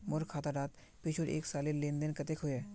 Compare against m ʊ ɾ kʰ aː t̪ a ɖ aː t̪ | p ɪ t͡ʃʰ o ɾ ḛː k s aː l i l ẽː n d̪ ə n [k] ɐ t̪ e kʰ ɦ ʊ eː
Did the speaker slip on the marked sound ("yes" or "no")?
no